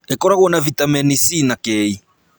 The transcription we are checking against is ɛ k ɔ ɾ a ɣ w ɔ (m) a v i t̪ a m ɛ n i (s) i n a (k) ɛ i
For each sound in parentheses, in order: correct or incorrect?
incorrect, correct, correct

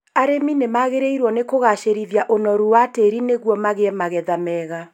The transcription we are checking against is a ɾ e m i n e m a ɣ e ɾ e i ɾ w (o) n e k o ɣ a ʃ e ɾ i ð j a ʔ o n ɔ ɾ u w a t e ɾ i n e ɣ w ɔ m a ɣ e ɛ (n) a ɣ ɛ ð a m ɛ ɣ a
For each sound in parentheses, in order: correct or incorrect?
incorrect, incorrect

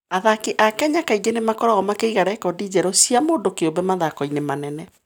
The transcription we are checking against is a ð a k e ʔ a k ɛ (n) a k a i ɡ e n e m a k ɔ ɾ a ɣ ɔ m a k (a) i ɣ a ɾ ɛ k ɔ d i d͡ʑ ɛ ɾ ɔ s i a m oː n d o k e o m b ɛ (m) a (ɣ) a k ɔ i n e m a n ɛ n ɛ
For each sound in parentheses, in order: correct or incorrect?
incorrect, incorrect, correct, incorrect

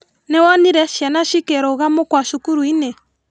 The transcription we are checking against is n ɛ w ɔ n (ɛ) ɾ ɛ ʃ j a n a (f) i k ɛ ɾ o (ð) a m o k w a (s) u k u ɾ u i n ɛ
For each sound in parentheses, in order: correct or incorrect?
incorrect, incorrect, incorrect, incorrect

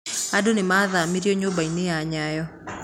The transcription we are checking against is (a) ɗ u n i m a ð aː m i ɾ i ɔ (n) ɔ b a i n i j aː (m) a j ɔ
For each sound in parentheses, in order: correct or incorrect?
correct, incorrect, incorrect

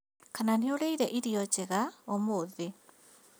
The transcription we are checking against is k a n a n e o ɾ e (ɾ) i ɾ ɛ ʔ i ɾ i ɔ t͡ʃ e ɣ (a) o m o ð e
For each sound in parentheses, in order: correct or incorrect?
incorrect, correct

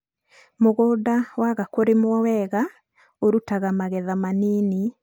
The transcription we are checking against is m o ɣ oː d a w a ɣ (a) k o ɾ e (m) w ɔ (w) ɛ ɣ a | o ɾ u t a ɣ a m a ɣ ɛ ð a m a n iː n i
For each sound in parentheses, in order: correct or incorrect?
correct, correct, correct

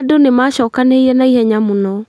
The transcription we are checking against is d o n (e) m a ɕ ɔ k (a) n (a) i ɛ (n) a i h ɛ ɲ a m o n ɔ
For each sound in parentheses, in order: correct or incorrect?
correct, correct, incorrect, correct

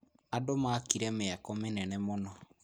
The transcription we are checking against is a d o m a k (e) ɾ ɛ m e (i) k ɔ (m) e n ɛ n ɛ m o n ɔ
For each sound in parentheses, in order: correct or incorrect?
incorrect, incorrect, correct

